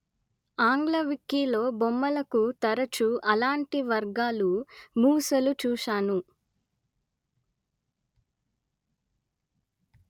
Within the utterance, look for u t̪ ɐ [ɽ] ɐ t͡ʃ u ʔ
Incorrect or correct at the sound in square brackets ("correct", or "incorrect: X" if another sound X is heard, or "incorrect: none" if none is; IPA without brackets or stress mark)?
incorrect: ɾ